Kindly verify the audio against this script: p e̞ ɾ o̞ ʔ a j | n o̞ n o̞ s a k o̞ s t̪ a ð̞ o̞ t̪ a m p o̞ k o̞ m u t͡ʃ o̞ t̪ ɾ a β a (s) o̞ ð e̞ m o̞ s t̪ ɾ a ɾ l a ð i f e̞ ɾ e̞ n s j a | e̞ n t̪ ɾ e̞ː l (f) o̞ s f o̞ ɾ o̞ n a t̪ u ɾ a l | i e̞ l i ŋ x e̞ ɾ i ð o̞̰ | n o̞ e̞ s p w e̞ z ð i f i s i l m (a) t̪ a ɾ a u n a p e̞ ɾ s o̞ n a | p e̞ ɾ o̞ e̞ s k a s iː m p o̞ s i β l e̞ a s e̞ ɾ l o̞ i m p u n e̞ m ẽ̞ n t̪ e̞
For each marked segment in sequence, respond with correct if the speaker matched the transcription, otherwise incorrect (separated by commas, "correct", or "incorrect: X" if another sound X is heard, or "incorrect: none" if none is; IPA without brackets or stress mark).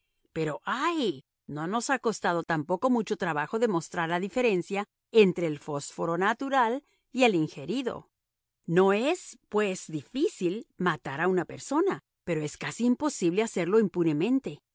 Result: incorrect: x, correct, correct